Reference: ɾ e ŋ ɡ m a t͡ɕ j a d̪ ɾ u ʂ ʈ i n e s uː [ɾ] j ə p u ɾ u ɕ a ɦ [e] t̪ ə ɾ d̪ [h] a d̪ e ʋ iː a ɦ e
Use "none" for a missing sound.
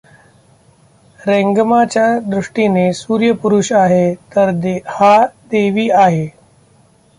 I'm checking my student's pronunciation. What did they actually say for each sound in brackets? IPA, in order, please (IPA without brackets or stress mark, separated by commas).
ɾ, e, h